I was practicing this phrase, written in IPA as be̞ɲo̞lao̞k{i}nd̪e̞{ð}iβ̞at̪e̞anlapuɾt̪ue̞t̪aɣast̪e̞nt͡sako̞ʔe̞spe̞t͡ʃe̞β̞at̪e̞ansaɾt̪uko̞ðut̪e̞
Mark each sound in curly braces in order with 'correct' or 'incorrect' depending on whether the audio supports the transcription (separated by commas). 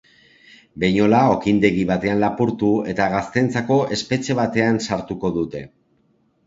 correct, incorrect